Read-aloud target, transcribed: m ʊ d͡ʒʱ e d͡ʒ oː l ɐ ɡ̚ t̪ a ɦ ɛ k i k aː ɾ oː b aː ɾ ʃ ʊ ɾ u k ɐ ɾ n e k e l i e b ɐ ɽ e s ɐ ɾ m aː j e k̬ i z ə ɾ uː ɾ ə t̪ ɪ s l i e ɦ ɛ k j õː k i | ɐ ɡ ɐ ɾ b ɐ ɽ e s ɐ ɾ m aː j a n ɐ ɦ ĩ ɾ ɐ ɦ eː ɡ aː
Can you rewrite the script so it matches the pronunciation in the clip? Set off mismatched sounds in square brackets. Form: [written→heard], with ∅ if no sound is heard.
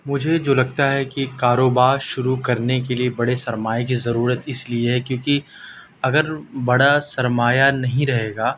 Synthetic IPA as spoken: m ʊ d͡ʒʱ e d͡ʒ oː l ɐ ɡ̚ t̪ a ɦ ɛ k i k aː ɾ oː b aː ɾ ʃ ʊ ɾ u k ɐ ɾ n e k e l i e b ɐ ɽ e s ɐ ɾ m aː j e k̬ i z [ə→ɐ] ɾ uː ɾ ə t̪ ɪ s l i e ɦ ɛ k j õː k i | ɐ ɡ [ɐ→ə] ɾ b ɐ ɽ [e→a] s ɐ ɾ m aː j a n ɐ ɦ ĩ ɾ ɐ ɦ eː ɡ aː